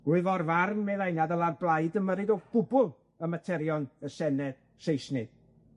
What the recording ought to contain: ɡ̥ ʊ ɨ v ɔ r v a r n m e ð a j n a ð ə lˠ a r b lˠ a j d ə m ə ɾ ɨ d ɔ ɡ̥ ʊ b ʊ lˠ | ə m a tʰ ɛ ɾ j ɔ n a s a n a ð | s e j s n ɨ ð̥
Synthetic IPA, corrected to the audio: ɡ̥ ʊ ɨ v ɔ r v a r n m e ð a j n a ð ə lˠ a r b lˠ a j d ə m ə ɾ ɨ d ɔ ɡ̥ ʊ b ʊ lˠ | ə m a tʰ ɛ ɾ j ɔ n ə s ɛ n ɛ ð | s e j s n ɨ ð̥